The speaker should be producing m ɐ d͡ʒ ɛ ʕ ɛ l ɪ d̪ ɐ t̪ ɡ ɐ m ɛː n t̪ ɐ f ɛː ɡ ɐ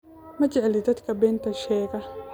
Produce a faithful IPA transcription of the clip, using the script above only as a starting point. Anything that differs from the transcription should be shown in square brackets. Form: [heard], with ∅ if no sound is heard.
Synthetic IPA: m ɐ d͡ʒ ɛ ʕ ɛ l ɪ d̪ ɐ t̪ [k] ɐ [b] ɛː n t̪ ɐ [ʃ] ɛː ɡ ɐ